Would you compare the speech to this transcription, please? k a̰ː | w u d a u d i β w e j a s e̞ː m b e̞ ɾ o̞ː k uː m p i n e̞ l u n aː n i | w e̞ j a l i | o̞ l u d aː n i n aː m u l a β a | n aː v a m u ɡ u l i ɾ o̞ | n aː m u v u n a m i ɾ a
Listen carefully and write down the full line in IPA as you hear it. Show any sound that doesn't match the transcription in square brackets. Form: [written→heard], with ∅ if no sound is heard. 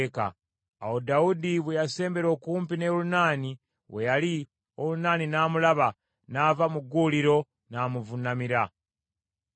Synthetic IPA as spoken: k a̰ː | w [u→o] d a u d i β w e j a s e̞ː m b e̞ ɾ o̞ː k uː m p i n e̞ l u n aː n i | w e̞ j a l i | o̞ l u [d→n] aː n i n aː m u l a β a | n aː v a m u ɡ u l i ɾ o̞ | n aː m u v u n a m i ɾ a